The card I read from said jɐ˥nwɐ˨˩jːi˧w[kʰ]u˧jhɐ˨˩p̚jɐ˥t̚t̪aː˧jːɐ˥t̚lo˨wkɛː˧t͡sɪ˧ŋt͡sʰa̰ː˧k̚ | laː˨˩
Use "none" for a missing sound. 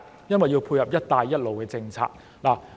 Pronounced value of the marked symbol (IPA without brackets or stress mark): pʰ